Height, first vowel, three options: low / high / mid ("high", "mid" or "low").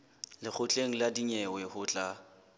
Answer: high